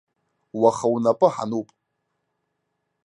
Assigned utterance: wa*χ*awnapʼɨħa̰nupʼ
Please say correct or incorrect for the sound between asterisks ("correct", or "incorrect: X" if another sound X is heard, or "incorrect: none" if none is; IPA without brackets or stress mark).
correct